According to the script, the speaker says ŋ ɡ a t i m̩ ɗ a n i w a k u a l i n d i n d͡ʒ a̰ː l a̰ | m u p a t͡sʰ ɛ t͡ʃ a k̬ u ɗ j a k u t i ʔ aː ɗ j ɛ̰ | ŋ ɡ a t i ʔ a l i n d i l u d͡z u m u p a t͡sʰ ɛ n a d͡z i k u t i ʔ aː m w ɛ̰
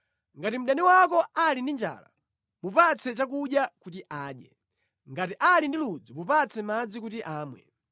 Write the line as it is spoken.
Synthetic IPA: ŋ ɡ a t i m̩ ɗ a n i w a k ɔ a l i n d i n d͡ʒ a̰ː l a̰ | m u p a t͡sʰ ɛ t͡ʃ a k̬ u ɗ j a k u t i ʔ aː ɗ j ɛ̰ | ŋ ɡ a t i ʔ a l i n d i l u d͡z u m u p a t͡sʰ ɛ m a d͡z i k u t i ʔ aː m w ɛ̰